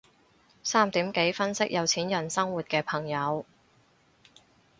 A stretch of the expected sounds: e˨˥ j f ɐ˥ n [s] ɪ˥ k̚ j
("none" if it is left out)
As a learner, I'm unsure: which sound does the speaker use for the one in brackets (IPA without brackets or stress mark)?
s